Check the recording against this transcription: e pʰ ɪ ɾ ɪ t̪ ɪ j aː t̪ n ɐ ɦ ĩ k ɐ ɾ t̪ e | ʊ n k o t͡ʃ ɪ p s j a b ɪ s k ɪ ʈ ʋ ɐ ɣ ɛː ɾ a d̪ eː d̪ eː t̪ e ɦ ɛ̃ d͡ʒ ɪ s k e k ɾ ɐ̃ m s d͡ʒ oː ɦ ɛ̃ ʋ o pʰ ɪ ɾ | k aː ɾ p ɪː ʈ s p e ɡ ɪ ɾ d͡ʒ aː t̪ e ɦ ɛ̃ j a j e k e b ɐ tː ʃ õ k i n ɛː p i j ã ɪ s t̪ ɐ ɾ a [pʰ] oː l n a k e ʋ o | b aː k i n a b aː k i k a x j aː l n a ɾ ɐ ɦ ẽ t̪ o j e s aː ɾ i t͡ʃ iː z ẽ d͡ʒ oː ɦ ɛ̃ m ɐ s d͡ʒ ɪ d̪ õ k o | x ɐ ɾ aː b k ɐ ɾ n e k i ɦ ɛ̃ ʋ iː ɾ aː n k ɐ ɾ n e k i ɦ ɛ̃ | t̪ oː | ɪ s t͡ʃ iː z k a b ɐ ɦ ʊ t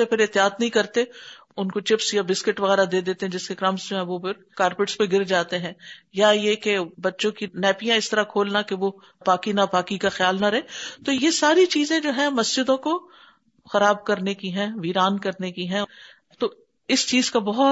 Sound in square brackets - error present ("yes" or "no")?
yes